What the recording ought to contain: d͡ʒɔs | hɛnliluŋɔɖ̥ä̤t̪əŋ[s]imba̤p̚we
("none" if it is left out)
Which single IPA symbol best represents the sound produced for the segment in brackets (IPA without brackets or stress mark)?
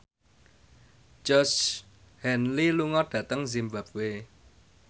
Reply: z